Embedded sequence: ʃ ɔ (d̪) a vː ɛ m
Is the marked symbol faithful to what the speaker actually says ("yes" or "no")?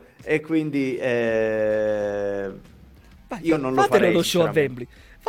no